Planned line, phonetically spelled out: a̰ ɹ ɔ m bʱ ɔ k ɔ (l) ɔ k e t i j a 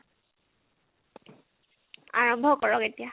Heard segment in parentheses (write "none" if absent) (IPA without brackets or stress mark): ɹ